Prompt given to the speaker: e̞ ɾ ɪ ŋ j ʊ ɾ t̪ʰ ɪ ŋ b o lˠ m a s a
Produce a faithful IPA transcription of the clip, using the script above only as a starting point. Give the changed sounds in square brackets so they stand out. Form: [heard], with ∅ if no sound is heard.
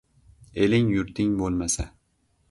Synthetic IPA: e̞ [l] ɪ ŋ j ʊ ɾ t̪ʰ ɪ ŋ b o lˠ m a s a